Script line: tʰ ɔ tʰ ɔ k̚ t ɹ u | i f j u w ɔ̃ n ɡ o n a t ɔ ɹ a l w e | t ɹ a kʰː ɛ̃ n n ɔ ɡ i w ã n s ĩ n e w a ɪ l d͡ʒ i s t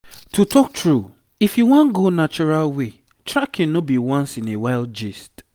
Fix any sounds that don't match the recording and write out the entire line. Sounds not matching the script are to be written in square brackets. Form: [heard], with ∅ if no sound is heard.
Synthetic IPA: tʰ [u] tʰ ɔ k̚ t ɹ u | i f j u w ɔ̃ n ɡ o n a [t͡ʃ] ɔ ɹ a l w e | t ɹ a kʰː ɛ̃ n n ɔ [b] i w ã n s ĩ n e w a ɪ l d͡ʒ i s t